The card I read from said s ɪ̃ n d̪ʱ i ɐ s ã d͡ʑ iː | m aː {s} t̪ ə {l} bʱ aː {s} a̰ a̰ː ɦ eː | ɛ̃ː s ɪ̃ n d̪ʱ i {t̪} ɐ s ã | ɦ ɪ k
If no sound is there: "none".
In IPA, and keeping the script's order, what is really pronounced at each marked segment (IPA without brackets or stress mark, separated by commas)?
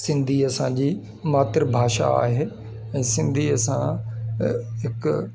none, ɾ, ʃ, none